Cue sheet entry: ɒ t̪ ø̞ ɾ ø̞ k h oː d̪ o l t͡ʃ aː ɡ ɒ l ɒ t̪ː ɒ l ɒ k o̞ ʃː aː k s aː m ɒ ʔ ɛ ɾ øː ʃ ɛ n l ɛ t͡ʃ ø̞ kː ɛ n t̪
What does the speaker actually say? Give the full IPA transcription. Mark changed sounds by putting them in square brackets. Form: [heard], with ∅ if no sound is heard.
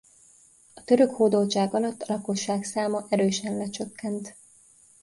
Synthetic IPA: ɒ t̪ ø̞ ɾ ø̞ k h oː d̪ o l t͡ʃ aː ɡ ɒ l ɒ t̪ː ɒ l ɒ k o̞ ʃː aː k s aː m ɒ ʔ ɛ ɾ øː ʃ ɛ n l ɛ t͡ʃ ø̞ kː ɛ n t̪